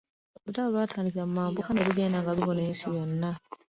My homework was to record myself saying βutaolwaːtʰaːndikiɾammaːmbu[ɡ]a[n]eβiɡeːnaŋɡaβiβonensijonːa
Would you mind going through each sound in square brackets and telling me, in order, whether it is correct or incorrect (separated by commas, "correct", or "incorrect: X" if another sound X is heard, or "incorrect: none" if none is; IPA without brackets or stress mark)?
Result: incorrect: k, correct